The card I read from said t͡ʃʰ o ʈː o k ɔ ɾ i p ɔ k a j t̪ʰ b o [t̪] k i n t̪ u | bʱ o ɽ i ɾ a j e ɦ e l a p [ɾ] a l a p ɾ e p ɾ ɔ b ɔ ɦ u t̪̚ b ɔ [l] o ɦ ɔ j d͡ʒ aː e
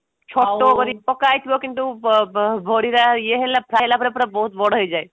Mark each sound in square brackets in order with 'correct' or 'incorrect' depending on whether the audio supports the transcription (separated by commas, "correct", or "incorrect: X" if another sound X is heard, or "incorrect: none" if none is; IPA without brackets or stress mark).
incorrect: none, correct, incorrect: ɽ